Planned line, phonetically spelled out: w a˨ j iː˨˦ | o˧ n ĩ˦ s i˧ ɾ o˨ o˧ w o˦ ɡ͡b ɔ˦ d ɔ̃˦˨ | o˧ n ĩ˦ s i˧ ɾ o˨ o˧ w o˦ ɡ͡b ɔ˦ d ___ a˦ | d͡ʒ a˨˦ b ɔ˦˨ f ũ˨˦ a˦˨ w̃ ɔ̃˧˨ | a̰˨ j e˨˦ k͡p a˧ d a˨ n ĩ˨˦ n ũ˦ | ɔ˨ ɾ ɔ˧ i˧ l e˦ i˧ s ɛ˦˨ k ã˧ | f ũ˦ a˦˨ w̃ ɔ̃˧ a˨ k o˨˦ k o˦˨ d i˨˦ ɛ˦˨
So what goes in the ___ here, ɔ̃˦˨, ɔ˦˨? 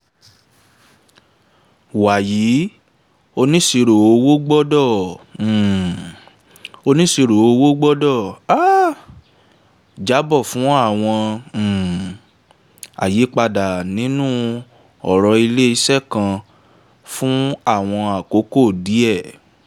ɔ˦˨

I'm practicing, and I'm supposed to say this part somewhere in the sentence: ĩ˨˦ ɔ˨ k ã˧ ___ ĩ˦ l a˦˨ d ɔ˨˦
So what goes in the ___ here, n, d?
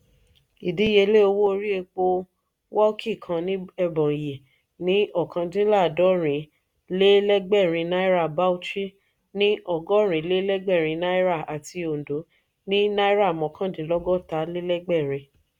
d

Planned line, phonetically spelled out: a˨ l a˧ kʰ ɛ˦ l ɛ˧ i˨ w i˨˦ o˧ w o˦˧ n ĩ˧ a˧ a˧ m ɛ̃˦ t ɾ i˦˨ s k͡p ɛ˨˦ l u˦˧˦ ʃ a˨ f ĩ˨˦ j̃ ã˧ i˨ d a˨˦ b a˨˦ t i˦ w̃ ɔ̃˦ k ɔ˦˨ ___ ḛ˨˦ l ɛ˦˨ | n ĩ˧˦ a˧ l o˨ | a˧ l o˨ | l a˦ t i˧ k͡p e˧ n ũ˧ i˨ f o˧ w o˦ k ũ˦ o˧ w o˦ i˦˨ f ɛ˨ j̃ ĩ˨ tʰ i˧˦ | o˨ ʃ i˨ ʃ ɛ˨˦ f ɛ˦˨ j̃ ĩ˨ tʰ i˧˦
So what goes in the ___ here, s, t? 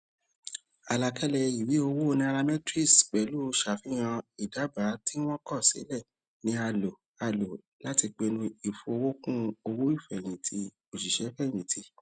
s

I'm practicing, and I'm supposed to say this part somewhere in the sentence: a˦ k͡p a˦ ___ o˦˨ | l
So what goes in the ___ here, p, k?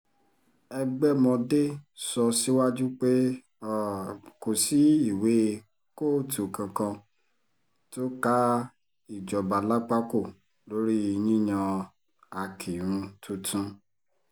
k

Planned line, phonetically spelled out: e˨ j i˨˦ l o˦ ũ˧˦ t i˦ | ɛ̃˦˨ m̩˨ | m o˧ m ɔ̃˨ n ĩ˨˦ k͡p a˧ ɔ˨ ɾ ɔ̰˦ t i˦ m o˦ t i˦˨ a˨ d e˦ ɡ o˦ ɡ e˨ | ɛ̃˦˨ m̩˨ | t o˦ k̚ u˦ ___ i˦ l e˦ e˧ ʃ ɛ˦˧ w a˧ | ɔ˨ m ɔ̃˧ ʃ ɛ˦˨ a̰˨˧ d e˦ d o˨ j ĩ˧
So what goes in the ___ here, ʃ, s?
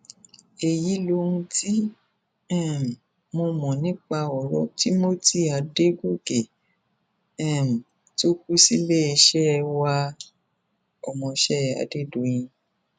s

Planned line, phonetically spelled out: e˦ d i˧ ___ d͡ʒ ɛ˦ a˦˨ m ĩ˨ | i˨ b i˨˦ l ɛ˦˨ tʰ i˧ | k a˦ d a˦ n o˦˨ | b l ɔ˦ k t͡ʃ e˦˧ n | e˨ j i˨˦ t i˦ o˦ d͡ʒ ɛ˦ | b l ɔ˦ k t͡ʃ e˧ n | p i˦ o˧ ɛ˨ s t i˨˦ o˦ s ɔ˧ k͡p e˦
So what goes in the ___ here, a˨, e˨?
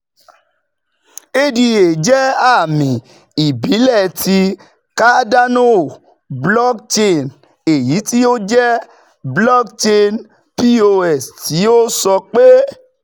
e˨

